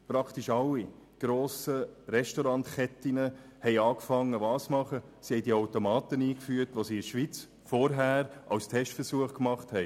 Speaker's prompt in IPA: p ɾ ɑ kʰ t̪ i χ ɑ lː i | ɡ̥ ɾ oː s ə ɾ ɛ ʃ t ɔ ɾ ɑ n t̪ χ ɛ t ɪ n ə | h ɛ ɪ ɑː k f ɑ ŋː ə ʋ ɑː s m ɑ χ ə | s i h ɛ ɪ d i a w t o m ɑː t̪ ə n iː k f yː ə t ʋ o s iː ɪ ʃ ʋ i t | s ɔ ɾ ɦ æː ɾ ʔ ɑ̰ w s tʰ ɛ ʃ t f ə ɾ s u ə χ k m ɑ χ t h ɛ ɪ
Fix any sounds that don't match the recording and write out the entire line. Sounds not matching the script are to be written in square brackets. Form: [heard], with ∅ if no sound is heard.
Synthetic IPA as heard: p ɾ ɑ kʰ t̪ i [ʃ] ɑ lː i | ɡ̥ ɾ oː s ə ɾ ɛ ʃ t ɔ ɾ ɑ n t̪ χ ɛ t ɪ n ə | h ɛ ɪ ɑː k f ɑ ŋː ə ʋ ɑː s m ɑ χ ə | s i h ɛ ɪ d i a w t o m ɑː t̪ ə n iː k f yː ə t ʋ o s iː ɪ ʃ ʋ i [t͡s] | [f] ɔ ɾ ɦ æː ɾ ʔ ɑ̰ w s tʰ ɛ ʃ t f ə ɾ s u ə χ k m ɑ χ t h ɛ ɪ